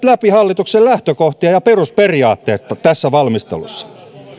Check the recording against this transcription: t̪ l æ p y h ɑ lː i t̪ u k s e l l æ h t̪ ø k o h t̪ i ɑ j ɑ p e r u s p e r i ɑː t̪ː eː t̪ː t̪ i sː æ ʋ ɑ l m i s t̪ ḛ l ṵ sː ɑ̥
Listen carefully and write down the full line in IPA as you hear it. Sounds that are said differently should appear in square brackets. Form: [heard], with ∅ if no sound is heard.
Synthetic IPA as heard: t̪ l æ p [i] h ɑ lː i t̪ u k s e l l æ h t̪ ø k o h t̪ i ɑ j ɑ p e r u s p e r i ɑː t̪ː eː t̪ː t̪ [æ] sː æ ʋ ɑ l m i s t̪ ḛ l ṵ sː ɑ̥